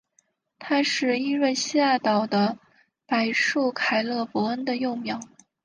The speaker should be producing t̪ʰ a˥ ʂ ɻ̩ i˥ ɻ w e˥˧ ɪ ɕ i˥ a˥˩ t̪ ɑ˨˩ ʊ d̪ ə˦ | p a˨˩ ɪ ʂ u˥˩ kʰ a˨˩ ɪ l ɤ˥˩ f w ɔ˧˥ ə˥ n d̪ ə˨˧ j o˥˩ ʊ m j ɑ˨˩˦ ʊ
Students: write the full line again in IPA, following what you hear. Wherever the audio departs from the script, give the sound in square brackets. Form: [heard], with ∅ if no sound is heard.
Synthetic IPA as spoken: t̪ʰ a˥ ʂ ɻ̩ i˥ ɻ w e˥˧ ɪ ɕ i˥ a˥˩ t̪ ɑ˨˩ ʊ d̪ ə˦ | p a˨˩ ɪ ʂ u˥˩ kʰ a˨˩ ɪ l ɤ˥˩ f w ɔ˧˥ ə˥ n d̪ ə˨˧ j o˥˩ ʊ m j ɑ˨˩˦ ʊ